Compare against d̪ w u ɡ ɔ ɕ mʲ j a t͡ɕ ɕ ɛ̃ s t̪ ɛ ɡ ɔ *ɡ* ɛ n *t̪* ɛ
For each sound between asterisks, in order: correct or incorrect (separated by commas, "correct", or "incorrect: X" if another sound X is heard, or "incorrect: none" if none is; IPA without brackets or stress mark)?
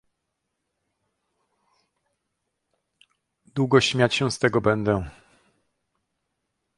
incorrect: b, incorrect: d̪